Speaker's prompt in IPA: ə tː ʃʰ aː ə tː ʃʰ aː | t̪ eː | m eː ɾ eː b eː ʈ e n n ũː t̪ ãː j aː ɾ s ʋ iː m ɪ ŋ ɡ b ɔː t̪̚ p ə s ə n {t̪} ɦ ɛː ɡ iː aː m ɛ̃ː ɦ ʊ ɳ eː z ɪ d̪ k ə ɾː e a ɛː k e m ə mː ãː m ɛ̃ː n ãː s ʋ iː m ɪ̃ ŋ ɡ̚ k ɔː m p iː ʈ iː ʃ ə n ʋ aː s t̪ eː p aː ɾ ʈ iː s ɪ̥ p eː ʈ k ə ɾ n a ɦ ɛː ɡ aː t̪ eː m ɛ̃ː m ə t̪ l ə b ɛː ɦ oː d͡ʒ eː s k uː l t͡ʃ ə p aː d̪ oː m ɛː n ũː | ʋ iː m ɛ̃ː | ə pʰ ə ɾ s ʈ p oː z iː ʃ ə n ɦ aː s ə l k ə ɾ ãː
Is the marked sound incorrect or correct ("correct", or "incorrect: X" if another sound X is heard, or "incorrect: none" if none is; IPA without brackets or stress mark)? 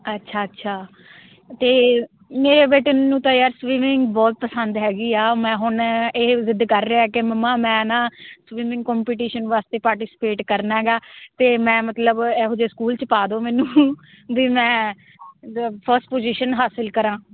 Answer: incorrect: d̪